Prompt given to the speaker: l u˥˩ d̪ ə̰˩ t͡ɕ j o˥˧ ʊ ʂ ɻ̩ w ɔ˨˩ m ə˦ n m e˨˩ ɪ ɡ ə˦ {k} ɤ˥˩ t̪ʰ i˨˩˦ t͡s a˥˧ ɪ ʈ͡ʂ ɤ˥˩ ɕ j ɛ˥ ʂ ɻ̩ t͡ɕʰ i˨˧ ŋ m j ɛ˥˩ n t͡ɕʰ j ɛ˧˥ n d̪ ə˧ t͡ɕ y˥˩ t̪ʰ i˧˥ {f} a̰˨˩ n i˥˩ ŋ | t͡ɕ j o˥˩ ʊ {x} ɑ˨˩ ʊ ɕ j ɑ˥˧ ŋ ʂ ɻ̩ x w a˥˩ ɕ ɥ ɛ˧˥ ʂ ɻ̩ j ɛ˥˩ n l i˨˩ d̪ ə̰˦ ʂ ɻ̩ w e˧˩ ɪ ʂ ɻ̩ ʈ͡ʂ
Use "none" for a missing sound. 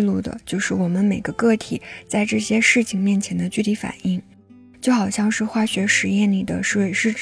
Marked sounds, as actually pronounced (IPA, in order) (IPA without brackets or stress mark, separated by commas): k, f, x